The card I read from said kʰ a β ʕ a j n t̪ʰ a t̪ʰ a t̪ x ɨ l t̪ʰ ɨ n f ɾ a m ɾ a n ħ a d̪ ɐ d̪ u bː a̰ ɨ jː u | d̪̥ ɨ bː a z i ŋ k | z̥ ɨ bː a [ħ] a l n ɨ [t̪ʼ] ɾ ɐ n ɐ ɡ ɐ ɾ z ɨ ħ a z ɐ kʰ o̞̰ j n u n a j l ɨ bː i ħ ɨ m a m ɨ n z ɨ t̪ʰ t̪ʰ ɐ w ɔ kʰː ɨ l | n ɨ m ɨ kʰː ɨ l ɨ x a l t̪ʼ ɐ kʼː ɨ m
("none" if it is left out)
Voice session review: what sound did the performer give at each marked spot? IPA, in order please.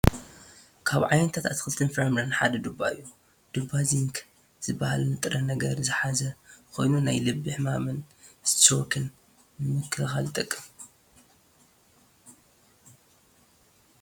h, t̪ʼ

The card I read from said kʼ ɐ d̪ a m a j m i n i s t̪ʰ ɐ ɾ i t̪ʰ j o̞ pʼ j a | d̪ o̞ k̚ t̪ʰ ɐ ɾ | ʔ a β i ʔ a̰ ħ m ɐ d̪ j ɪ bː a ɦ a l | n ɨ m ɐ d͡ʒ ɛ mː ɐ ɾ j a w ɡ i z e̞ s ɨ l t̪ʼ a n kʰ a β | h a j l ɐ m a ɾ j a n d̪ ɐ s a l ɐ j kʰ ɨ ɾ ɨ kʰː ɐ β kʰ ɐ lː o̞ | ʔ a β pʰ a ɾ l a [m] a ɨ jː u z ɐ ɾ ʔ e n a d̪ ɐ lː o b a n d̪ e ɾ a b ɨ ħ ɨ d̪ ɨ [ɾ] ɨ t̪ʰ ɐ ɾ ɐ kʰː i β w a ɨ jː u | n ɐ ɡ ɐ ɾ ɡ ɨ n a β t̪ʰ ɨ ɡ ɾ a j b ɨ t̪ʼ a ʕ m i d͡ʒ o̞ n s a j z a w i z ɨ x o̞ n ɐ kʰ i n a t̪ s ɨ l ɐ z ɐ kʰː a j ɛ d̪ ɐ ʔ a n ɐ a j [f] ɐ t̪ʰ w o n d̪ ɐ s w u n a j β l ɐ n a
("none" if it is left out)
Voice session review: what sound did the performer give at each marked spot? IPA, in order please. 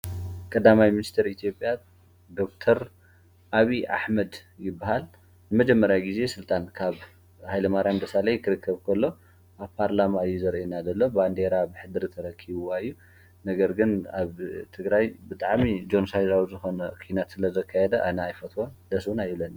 m, ɾ, f

